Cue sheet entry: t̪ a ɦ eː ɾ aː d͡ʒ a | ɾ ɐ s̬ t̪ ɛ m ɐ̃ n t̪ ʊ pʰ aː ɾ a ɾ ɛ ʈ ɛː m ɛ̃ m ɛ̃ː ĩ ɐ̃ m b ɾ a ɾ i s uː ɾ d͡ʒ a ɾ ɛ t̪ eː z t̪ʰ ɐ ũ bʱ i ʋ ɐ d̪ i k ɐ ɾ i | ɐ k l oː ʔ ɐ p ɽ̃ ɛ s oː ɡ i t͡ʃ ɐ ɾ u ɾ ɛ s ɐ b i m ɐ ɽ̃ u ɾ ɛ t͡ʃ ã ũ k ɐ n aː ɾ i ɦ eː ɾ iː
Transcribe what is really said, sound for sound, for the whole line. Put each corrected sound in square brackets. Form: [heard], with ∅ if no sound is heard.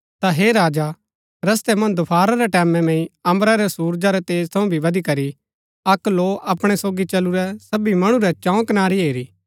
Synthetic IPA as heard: t̪ a ɦ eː ɾ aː d͡ʒ a | ɾ ɐ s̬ t̪ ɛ m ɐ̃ n [d̪] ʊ pʰ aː ɾ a ɾ ɛ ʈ ɛː m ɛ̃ m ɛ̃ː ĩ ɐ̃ m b ɾ a ɾ [ɛ] s uː ɾ d͡ʒ a ɾ ɛ t̪ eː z t̪ʰ ɐ ũ bʱ i ʋ ɐ d̪ i k ɐ ɾ i | ɐ k l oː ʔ ɐ p ɽ̃ ɛ s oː ɡ i t͡ʃ ɐ [l] u ɾ ɛ s ɐ b i m ɐ ɽ̃ u ɾ ɛ t͡ʃ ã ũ k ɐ n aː ɾ i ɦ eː ɾ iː